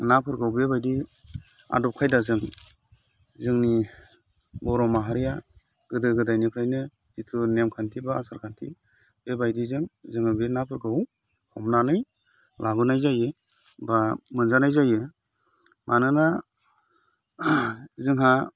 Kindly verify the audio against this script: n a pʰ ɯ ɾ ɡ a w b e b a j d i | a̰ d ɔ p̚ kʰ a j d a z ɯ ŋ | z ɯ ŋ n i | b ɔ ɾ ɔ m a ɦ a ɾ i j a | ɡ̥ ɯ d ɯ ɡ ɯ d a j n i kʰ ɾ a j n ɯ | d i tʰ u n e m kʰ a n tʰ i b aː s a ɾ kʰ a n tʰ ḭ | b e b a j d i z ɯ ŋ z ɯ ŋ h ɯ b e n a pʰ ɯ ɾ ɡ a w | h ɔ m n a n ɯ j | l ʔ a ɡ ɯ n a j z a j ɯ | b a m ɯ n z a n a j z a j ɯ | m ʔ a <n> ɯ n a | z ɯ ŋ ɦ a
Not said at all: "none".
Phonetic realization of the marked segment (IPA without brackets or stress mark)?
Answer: n